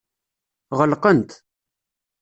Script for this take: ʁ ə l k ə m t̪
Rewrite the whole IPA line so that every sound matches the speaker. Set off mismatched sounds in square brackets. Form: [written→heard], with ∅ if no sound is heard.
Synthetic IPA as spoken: ʁ ə l [k→q] ə [m→n] t̪